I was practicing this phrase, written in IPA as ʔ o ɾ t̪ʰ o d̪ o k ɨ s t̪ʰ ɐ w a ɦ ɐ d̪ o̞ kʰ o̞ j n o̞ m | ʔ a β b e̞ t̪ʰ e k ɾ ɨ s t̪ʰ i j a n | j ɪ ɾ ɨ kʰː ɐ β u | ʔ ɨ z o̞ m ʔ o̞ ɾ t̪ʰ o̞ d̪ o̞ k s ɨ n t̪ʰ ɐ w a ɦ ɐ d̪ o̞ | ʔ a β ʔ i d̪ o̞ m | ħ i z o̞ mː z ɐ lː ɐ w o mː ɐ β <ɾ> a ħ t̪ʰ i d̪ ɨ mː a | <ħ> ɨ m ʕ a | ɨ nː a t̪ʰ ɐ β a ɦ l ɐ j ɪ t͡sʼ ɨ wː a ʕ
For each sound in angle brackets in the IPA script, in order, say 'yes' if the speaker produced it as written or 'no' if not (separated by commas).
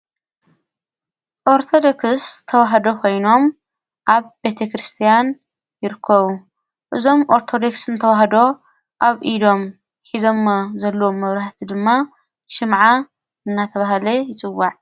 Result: yes, no